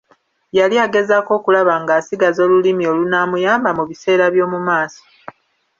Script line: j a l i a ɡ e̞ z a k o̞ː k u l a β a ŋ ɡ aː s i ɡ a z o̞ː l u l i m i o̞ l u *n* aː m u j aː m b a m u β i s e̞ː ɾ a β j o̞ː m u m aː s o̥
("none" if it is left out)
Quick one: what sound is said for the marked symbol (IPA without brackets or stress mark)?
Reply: n